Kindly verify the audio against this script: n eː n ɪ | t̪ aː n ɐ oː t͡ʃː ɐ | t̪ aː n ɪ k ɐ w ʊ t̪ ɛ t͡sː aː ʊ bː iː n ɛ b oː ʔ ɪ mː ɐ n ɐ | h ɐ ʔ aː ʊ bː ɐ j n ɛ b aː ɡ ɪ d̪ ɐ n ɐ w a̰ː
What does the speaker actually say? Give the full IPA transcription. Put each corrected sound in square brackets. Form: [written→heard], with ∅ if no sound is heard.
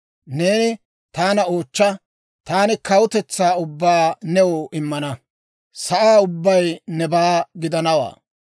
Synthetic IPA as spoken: n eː n ɪ | t̪ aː n ɐ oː t͡ʃː ɐ | t̪ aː n ɪ k ɐ w ʊ t̪ ɛ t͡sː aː ʊ bː [iː→aː] n ɛ [b→w] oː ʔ ɪ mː ɐ n ɐ | [h→s] ɐ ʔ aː ʊ bː ɐ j n ɛ b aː ɡ ɪ d̪ ɐ n ɐ w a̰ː